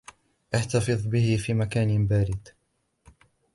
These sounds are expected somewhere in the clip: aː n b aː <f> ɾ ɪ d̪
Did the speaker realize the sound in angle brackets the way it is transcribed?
no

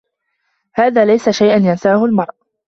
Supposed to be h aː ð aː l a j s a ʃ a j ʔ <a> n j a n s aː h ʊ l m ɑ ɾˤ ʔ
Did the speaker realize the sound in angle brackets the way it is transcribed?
yes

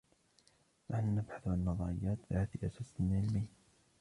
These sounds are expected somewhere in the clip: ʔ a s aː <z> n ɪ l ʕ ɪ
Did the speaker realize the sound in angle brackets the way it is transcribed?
no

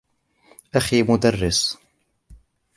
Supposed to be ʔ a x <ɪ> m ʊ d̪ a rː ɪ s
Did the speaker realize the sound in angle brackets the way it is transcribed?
no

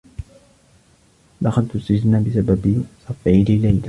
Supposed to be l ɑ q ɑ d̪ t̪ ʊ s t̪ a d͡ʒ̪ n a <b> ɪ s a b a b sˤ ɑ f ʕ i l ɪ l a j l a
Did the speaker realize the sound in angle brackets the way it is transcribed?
yes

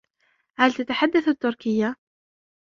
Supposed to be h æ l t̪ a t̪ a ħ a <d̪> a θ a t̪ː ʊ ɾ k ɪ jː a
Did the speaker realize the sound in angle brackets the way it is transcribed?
no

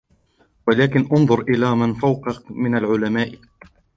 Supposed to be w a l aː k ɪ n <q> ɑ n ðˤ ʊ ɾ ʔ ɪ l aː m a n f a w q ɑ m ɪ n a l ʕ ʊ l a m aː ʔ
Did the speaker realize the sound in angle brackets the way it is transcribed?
no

